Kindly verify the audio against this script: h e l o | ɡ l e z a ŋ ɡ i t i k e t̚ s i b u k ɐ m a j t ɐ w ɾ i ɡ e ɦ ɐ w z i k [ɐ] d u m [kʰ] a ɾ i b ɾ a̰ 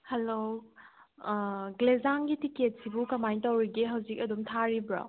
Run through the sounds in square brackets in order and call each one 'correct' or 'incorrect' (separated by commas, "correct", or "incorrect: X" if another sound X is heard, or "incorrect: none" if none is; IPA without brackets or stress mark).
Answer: correct, incorrect: tʰ